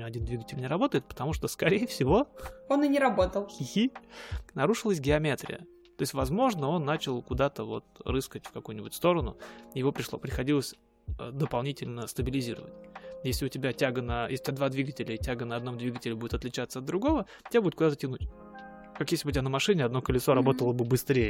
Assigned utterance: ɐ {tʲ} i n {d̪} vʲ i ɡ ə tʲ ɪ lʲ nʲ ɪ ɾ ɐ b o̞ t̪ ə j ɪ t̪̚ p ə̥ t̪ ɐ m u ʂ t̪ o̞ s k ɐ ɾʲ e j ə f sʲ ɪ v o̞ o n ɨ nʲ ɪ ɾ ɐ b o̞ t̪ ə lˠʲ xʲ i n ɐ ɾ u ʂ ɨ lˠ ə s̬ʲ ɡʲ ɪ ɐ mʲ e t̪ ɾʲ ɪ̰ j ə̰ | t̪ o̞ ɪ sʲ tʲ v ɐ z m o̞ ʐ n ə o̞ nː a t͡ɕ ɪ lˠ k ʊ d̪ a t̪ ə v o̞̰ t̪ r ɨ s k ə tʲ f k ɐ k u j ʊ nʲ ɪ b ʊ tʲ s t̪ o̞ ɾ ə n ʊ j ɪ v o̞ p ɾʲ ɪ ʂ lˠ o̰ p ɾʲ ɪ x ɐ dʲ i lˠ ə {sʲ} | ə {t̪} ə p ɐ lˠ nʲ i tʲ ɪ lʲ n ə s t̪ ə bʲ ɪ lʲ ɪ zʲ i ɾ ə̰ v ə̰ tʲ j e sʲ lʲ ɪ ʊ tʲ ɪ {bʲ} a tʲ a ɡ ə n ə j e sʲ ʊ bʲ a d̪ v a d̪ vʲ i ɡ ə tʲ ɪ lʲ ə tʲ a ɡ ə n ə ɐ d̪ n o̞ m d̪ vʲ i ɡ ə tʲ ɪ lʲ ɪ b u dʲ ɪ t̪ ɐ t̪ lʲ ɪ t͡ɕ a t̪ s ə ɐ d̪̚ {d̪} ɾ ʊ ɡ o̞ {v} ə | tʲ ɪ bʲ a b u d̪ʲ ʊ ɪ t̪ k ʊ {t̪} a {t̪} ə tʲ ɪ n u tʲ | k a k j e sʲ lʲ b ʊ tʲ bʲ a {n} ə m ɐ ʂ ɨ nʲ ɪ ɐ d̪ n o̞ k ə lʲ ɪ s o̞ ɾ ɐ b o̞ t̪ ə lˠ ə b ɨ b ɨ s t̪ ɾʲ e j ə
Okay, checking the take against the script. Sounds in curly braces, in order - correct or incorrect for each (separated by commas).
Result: incorrect, correct, correct, incorrect, correct, correct, correct, incorrect, correct, correct